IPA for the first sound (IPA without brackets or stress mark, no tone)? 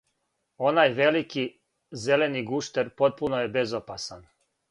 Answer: o̞